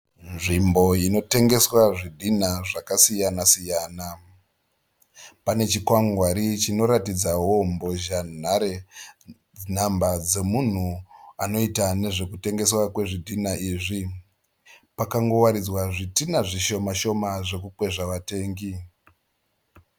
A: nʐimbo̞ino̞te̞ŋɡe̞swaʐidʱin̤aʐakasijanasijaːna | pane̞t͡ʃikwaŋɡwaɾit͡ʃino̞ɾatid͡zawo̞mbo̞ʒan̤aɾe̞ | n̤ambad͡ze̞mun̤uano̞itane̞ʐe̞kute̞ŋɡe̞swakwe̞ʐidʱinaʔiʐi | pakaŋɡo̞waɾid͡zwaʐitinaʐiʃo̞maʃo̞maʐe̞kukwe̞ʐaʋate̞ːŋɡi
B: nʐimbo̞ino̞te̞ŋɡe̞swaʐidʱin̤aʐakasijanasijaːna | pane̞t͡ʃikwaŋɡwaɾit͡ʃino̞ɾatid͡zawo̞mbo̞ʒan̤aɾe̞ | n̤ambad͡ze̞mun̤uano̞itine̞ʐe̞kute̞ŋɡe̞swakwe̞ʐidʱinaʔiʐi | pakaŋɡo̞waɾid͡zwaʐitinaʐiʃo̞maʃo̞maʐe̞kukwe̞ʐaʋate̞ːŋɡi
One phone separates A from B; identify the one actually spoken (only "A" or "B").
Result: A